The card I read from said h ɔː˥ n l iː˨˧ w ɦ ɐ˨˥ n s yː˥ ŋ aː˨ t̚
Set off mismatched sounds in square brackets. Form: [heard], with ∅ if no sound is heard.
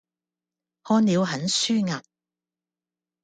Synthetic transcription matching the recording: h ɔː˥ n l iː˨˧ w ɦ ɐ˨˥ n s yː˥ ŋ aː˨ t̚